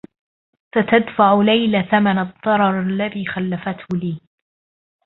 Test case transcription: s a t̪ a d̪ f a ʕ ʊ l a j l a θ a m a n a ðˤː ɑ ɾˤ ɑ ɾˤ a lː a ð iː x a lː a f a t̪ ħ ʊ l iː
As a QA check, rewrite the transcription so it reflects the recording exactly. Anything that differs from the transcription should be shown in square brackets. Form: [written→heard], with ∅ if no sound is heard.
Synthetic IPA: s a t̪ a d̪ f a ʕ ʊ l a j l a θ a m a n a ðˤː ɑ ɾˤ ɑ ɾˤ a lː a ð iː x a lː a f a t̪ [ħ→h] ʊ l iː